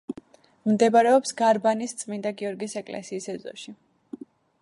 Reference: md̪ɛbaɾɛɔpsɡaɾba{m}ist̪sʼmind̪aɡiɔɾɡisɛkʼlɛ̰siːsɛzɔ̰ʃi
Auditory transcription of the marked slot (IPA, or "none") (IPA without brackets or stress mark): n